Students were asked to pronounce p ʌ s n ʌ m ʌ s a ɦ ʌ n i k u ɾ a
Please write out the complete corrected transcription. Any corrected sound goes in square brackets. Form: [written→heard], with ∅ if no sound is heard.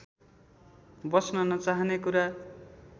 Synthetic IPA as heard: [p→b] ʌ s n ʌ [m→n] ʌ [s→t͡s] a ɦ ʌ n [i→e] k u ɾ a